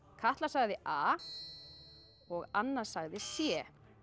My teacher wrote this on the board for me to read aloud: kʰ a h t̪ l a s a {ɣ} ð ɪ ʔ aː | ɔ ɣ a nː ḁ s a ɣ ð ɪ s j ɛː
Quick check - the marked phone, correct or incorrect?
correct